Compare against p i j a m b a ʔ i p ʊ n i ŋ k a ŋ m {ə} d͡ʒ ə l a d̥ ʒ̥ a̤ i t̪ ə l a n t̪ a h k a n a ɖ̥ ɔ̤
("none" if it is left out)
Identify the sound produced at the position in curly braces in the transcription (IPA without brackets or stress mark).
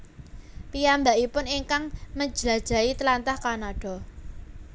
ə